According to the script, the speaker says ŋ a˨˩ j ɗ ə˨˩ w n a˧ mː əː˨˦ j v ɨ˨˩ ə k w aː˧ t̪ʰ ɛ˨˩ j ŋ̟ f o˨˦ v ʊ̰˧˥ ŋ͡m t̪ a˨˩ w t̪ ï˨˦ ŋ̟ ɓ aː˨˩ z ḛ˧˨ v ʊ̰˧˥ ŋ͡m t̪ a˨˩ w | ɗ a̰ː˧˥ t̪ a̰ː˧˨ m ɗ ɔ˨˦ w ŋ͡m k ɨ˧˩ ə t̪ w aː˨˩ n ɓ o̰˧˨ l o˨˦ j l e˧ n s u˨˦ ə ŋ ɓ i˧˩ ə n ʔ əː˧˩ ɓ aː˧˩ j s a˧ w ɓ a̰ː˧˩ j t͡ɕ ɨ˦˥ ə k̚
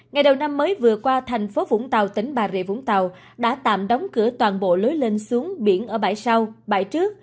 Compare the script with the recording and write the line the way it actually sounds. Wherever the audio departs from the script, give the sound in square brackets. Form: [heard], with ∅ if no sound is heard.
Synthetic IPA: ŋ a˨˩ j ɗ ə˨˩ w n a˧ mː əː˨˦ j v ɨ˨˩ ə k w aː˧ t̪ʰ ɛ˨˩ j ŋ̟ f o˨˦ v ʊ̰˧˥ ŋ͡m t̪ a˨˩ w t̪ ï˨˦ ŋ̟ ɓ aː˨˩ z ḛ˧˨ v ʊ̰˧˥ ŋ͡m t̪ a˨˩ w | ɗ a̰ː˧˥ t̪ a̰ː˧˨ m ɗ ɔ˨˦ w ŋ͡m k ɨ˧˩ ə t̪ w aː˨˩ n ɓ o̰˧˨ l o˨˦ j l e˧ n s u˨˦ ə ŋ ɓ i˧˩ ə n ʔ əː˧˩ ɓ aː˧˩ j s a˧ w ɓ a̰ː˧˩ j t͡ɕ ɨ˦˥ ə k̚